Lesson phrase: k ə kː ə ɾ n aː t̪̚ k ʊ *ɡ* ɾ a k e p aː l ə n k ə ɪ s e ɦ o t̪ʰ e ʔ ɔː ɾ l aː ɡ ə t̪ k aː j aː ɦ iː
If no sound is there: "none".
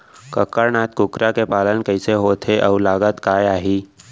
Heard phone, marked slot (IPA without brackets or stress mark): k